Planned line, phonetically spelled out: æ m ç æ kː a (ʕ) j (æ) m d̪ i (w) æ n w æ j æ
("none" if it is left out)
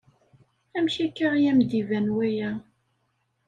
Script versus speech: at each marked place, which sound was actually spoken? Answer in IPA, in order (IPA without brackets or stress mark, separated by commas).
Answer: ʁ, æ, v